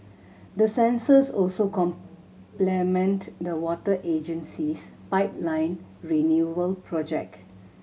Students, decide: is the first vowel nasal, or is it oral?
oral